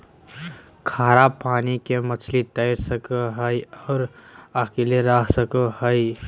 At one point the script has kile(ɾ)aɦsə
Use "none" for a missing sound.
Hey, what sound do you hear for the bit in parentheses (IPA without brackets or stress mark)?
ɾ